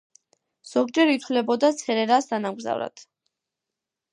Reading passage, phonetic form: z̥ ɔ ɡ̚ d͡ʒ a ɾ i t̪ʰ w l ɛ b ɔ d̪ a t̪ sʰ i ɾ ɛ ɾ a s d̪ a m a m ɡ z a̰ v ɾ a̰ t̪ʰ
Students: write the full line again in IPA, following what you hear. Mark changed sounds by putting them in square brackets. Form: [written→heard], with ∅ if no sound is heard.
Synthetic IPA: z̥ ɔ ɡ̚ d͡ʒ [a→ɛ] ɾ i t̪ʰ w l ɛ b ɔ d̪ a t̪ sʰ [i→ɛ] ɾ ɛ ɾ a s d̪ a [m→n] a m ɡ z a̰ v ɾ a̰ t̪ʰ

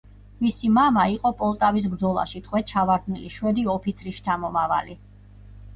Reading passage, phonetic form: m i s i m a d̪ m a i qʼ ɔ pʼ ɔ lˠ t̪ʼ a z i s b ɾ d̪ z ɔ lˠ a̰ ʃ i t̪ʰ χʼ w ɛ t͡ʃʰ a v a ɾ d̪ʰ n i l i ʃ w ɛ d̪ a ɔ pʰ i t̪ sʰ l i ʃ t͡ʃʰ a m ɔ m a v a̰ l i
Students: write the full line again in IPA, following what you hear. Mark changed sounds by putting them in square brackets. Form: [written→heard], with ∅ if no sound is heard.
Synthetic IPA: m i s i m a [d̪→∅] m a i qʼ ɔ pʼ ɔ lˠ t̪ʼ a [z→v] i s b ɾ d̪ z ɔ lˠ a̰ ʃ i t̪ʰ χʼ w ɛ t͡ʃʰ a v a ɾ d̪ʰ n i l i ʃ w ɛ d̪ [a→i] ɔ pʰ i t̪ sʰ [l→ɾ] i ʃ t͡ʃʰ a m ɔ m a v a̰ l i

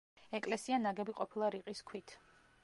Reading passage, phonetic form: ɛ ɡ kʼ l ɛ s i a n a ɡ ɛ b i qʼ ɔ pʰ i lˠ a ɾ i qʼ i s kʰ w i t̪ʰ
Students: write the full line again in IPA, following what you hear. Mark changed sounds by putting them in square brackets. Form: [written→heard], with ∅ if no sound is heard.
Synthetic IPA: ɛ [ɡ→∅] kʼ l ɛ s i a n a ɡ ɛ b i qʼ ɔ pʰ i lˠ a ɾ i qʼ i s kʰ w i t̪ʰ

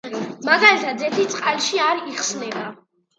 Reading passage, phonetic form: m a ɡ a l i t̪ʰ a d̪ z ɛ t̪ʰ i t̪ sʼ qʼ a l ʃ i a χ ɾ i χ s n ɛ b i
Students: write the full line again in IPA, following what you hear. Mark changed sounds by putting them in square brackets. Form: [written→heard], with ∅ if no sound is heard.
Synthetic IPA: m a ɡ a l i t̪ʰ a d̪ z ɛ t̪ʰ i t̪ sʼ qʼ a l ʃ i a [χ→∅] ɾ i χ s n ɛ b [i→a]

